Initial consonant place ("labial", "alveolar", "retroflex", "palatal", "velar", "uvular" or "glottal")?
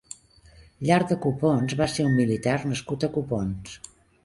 palatal